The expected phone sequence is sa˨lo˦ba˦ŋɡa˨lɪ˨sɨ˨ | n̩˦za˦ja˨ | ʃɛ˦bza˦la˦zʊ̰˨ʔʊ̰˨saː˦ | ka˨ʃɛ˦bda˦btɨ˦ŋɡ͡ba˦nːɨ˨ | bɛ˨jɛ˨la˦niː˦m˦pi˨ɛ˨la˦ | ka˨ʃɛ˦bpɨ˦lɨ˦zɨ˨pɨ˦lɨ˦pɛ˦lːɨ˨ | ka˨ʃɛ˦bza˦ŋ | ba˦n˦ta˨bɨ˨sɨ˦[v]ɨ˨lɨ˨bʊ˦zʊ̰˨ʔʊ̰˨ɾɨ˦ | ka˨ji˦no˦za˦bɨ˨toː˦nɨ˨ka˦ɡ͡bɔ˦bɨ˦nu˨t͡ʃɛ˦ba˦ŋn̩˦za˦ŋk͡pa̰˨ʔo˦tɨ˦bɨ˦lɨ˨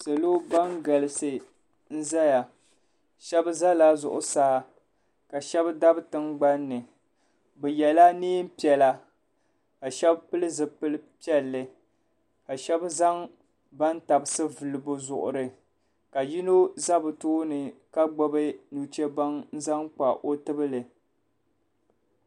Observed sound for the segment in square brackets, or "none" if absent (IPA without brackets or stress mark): v